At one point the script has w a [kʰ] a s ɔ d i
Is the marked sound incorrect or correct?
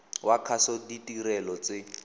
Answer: correct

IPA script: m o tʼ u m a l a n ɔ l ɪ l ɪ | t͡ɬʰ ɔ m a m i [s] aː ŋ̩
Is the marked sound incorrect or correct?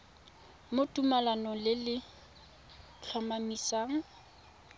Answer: correct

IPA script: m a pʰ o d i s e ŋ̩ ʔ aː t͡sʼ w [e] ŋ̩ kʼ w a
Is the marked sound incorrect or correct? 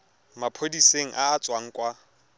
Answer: incorrect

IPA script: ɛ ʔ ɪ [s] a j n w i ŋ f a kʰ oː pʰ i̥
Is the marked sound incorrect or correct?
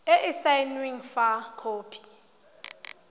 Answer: correct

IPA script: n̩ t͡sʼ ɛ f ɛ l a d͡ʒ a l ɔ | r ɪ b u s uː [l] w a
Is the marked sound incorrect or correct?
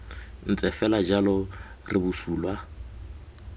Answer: correct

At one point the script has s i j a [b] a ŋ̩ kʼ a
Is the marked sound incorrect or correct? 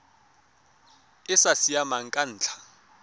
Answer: incorrect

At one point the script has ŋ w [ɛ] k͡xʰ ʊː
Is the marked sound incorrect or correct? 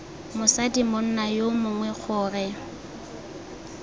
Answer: correct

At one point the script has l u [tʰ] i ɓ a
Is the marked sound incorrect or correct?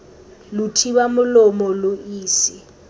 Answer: correct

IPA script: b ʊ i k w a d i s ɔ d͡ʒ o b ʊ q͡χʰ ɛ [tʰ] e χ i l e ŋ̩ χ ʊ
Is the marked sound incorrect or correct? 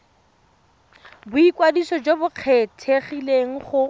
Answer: correct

